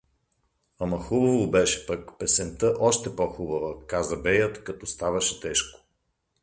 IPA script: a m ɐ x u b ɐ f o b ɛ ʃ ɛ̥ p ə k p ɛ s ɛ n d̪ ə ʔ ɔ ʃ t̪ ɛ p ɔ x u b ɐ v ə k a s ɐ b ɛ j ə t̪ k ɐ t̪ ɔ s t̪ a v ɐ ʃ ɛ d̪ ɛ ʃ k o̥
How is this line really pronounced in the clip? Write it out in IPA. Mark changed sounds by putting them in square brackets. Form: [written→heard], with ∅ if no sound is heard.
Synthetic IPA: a m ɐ x u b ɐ [f→v] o b ɛ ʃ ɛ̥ p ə k p ɛ s ɛ n [d̪→t̪] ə ʔ ɔ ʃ t̪ ɛ p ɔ x u b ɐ v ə k a [s→z] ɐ b ɛ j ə t̪ k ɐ t̪ ɔ s t̪ a v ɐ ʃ ɛ [d̪→t̪] ɛ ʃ k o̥